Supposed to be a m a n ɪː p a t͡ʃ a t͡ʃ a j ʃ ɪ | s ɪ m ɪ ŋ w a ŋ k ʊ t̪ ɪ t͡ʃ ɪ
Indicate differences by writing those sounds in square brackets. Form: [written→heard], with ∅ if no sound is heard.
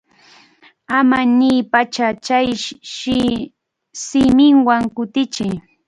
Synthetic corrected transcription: a m a n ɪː p a t͡ʃ a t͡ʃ a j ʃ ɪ | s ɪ m ɪ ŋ w a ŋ k ʊ t̪ ɪ t͡ʃ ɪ